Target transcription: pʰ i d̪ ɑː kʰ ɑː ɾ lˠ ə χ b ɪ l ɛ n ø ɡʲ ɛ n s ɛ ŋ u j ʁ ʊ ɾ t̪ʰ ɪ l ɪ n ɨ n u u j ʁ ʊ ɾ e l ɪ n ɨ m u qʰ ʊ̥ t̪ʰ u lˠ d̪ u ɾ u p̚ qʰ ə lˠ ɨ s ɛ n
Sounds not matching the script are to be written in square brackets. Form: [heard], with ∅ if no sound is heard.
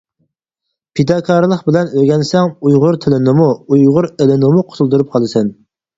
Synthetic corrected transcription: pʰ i d̪ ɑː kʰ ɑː ɾ lˠ ə χ b ɪ l ɛ n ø ɡʲ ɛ n s ɛ ŋ u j ʁ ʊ ɾ t̪ʰ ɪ l ɪ n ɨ [m] u u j ʁ ʊ ɾ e l ɪ n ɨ m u qʰ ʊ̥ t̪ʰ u lˠ d̪ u ɾ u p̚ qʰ [ɑ] lˠ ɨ s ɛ n